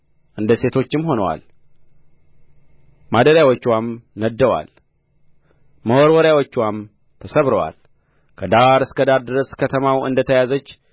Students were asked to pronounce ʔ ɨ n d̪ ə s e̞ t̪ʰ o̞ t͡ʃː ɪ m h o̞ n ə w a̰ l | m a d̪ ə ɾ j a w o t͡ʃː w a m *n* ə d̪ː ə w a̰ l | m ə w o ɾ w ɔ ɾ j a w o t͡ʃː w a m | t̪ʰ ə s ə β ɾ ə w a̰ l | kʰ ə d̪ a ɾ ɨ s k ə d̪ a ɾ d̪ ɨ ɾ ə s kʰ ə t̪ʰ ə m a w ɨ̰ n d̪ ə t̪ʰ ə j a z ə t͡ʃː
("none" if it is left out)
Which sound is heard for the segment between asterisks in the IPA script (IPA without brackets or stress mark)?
n